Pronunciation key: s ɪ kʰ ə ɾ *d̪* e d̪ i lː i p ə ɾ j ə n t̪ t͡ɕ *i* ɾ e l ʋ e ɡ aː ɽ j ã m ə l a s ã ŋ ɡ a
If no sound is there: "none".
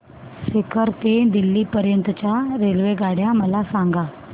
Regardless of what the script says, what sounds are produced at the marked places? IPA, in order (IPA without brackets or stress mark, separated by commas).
t̪, a